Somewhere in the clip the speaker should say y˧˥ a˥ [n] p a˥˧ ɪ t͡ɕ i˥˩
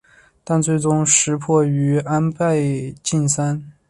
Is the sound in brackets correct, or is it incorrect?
correct